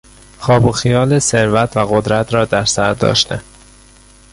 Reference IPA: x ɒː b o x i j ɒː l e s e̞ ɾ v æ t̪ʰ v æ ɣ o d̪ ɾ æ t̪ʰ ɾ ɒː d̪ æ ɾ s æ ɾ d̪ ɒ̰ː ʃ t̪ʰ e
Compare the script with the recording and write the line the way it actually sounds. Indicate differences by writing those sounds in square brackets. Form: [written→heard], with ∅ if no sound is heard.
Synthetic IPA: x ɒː b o x i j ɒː l e s e̞ ɾ v æ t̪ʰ v æ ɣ o d̪ ɾ æ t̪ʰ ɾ ɒː d̪ æ ɾ s æ ɾ d̪ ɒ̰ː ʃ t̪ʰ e